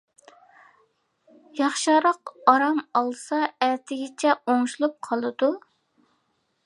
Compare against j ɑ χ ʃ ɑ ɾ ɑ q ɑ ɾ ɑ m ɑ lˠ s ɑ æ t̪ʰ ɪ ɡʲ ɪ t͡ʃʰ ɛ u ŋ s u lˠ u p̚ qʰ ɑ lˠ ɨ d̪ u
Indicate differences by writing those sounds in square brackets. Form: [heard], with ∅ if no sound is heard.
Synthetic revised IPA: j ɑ χ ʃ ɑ ɾ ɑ q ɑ ɾ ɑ m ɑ lˠ s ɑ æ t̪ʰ ɪ ɡʲ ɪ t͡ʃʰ ɛ [o] ŋ [ʃ] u lˠ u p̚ qʰ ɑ lˠ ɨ d̪ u